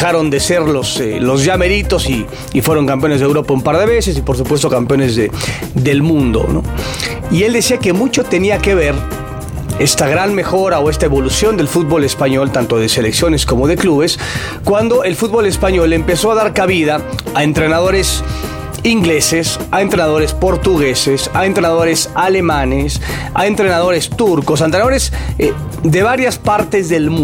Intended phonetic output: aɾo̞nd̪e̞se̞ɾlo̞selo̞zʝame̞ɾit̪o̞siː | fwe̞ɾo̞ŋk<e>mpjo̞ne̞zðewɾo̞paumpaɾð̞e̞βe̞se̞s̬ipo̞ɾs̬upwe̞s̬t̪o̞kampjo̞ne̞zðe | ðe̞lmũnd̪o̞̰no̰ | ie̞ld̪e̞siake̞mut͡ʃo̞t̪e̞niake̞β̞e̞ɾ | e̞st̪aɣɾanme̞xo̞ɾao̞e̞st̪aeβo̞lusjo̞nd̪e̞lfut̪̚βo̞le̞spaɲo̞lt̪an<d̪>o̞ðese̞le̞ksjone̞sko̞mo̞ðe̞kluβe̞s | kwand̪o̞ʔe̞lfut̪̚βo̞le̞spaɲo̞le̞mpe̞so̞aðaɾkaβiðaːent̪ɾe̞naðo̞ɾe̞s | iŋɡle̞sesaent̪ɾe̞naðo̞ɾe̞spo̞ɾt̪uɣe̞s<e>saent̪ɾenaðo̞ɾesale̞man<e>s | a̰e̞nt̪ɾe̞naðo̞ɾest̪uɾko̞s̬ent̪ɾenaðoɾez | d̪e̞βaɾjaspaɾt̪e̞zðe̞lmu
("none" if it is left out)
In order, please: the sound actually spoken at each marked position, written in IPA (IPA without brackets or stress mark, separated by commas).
a, t̪, e, e